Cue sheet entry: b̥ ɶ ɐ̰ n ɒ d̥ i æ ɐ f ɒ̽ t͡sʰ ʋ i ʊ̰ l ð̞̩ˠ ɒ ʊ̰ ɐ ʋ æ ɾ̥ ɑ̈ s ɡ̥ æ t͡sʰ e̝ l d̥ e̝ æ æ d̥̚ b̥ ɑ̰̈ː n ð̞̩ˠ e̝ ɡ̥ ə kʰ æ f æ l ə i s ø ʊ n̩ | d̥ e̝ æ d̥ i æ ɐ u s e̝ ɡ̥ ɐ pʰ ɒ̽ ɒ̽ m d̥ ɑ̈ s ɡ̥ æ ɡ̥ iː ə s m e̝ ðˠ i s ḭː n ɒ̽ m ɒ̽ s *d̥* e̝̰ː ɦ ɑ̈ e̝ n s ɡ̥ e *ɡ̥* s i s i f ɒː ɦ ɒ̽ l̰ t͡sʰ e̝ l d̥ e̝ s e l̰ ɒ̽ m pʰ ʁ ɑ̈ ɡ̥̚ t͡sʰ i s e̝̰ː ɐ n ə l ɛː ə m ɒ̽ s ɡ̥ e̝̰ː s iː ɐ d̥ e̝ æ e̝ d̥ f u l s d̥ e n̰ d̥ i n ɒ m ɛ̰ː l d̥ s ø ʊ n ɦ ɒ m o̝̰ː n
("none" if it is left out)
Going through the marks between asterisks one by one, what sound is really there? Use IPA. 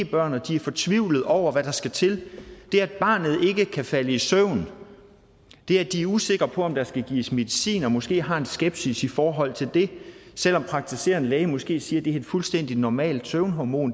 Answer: ɡ̥, b̥

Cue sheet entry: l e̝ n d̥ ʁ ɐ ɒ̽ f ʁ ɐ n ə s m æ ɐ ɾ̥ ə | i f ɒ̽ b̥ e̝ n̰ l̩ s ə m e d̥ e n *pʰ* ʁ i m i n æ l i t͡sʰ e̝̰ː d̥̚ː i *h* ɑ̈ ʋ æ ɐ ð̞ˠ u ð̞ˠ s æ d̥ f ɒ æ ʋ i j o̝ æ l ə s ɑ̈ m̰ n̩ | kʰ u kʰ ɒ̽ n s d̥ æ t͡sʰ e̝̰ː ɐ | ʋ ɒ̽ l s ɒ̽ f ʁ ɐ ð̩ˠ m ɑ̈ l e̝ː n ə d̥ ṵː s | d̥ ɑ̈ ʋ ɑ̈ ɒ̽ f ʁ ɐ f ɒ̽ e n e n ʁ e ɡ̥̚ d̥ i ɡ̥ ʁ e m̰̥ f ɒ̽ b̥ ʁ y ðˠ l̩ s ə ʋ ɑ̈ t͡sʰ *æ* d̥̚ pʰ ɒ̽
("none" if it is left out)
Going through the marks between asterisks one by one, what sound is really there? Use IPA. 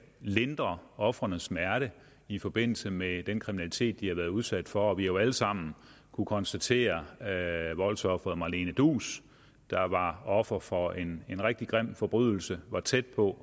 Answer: kʰ, h, e

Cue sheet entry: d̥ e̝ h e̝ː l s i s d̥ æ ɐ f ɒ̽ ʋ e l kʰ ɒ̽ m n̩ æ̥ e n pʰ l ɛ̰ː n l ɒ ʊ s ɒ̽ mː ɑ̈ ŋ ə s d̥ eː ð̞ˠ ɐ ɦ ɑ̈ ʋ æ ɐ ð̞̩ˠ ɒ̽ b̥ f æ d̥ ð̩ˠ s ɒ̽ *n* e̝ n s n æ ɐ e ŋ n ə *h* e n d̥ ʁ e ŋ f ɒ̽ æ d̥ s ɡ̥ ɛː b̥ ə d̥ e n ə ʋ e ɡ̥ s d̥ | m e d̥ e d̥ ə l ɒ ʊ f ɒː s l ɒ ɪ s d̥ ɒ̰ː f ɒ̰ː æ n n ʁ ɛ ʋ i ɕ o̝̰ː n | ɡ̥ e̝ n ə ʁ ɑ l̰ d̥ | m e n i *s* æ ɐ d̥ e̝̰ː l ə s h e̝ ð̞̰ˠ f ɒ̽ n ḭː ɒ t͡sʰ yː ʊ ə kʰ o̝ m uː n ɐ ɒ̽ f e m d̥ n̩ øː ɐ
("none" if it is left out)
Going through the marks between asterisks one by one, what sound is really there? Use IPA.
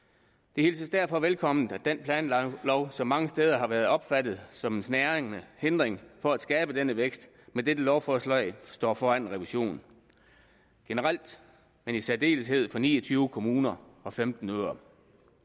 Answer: m, h, s

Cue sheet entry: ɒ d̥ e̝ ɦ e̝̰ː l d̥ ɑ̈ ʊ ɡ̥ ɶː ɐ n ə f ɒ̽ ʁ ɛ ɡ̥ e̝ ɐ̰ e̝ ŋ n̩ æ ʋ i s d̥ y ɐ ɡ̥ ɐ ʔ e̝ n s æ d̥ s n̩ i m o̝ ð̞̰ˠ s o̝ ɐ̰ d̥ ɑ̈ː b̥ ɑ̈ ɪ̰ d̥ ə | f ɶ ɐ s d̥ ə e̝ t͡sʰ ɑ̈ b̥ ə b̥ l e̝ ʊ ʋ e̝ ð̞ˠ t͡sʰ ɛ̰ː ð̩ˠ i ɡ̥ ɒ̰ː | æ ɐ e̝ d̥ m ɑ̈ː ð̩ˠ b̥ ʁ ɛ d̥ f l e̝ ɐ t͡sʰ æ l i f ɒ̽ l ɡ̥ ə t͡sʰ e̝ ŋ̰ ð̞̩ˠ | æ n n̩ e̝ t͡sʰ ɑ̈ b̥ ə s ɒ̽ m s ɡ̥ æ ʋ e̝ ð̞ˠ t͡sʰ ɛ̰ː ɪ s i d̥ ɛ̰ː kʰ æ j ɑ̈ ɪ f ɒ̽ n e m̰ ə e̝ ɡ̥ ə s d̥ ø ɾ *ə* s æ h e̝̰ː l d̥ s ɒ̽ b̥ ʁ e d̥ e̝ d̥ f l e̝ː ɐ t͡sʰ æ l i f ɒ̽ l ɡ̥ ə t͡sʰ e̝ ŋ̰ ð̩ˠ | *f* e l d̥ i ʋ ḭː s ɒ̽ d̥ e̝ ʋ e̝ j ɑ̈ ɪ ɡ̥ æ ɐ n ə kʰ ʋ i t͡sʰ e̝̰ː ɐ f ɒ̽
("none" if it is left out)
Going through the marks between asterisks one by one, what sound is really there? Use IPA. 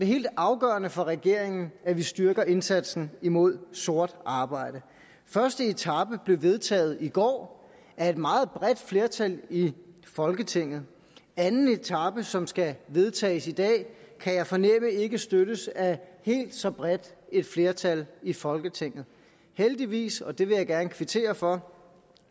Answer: ə, h

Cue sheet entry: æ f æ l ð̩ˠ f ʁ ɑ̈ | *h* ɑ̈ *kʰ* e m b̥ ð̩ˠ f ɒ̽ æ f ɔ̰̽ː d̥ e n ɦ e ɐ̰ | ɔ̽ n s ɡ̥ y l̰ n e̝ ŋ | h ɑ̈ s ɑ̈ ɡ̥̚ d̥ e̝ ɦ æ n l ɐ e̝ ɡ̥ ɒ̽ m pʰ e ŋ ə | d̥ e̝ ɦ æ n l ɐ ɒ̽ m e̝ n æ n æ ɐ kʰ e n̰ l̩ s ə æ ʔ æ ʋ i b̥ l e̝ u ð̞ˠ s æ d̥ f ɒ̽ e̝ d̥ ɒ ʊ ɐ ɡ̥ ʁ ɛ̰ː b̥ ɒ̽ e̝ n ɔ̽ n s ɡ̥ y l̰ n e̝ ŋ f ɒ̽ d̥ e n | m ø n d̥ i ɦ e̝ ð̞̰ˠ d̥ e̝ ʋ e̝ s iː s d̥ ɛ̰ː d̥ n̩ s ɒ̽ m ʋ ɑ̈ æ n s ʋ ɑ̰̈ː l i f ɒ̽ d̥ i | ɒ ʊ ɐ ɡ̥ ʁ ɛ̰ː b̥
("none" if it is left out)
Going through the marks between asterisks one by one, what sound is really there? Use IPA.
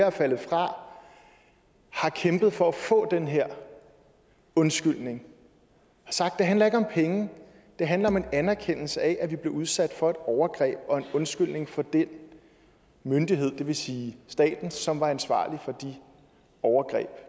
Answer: h, kʰ

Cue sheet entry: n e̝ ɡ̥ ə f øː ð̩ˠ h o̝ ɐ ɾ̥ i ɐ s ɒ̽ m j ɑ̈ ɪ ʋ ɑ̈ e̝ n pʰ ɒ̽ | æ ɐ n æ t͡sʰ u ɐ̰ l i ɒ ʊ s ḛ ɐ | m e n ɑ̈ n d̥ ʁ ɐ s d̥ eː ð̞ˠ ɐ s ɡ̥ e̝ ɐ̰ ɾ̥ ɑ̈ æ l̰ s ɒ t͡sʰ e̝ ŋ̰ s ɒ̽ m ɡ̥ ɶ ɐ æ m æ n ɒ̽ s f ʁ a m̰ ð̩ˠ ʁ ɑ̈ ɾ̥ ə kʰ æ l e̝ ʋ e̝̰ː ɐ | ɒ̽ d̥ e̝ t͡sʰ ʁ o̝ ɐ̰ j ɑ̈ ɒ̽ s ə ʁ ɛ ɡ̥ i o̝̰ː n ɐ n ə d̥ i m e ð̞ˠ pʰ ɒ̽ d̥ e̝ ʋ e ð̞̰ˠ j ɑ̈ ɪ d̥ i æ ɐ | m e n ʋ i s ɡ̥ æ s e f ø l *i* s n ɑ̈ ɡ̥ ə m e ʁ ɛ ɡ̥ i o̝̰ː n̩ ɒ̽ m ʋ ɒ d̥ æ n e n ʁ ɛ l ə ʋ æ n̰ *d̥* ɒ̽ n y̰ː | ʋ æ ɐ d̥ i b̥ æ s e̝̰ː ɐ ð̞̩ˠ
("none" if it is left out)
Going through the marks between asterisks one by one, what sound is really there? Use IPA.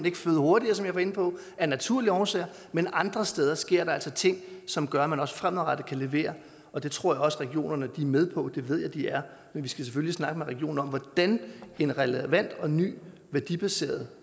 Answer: i, d̥

